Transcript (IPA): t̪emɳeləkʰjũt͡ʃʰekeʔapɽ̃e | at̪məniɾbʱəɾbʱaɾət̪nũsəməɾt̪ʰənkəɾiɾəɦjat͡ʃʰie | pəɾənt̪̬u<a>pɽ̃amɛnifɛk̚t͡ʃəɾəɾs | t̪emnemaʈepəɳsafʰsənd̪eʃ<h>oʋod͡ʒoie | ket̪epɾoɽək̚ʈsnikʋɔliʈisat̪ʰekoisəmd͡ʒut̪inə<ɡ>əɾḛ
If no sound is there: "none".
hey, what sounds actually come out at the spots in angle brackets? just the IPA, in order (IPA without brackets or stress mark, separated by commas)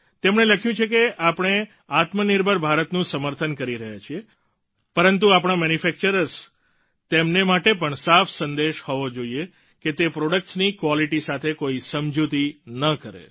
a, h, k